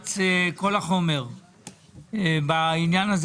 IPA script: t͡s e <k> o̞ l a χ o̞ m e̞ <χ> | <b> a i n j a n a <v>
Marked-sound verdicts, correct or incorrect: correct, incorrect: ʁ, correct, incorrect: z

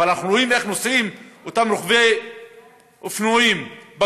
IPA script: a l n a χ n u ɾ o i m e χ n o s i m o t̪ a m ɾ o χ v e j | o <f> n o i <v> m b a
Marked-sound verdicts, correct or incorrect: correct, incorrect: none

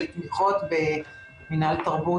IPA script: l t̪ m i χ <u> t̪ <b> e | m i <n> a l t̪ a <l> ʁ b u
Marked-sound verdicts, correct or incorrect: incorrect: o, correct, correct, incorrect: none

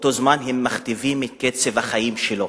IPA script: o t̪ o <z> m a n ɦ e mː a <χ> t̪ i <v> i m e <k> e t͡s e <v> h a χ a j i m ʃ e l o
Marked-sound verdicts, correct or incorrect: correct, correct, correct, correct, correct

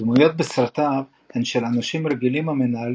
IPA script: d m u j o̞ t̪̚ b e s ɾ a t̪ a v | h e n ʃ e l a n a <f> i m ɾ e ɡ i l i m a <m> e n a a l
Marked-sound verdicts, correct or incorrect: incorrect: ʃ, correct

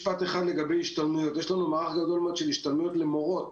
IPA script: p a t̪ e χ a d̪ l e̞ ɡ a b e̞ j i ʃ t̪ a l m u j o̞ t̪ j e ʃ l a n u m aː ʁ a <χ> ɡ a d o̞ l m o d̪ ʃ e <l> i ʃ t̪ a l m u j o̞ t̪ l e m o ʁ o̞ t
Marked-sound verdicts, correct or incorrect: correct, correct

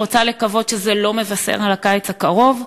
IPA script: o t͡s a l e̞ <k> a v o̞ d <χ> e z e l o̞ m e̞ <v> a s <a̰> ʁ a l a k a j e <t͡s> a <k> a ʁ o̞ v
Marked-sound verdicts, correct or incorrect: correct, incorrect: ʃ, correct, incorrect: ḛ, correct, correct

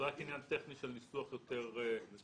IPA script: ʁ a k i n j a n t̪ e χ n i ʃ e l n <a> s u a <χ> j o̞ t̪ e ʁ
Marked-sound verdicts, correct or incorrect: incorrect: i, correct

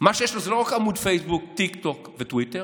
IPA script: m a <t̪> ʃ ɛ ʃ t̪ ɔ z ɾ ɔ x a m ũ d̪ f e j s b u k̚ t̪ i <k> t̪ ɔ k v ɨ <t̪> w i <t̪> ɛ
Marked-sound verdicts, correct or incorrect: incorrect: none, correct, correct, correct

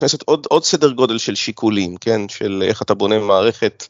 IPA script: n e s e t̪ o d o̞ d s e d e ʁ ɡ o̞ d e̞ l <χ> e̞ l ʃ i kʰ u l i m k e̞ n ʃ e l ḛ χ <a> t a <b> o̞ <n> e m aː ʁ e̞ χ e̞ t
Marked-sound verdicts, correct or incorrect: incorrect: ʃ, correct, correct, correct

